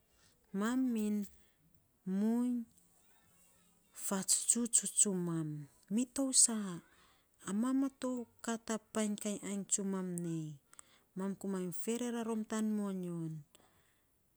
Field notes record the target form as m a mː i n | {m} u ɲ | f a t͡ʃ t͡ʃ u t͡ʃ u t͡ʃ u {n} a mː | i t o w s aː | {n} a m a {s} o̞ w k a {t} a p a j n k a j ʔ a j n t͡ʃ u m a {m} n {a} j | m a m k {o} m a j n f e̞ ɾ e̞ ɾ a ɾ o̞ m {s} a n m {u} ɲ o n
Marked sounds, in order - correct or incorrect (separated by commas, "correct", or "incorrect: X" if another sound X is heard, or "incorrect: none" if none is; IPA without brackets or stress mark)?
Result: correct, incorrect: m, incorrect: m, incorrect: t, correct, correct, incorrect: e, incorrect: u, incorrect: t, incorrect: o